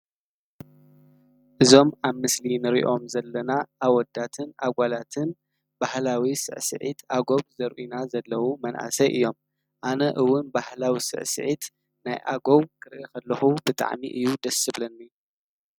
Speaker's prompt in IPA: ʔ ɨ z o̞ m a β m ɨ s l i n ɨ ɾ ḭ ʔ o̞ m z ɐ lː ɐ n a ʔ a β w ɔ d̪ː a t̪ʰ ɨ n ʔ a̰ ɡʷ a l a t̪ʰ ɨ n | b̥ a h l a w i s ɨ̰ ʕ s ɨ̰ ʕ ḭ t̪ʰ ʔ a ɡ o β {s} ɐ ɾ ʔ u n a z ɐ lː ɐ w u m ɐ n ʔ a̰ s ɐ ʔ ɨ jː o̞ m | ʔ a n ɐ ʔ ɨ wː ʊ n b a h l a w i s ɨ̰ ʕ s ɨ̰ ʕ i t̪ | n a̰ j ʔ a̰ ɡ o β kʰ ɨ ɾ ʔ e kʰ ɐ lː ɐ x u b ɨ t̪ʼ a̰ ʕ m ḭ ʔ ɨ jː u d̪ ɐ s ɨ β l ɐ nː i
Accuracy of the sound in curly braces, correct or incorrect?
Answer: incorrect